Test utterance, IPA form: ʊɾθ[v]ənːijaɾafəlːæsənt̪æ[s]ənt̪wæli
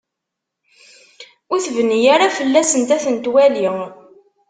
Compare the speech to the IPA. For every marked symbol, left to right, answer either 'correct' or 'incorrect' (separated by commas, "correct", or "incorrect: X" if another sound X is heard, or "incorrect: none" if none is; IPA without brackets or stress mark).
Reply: correct, incorrect: θ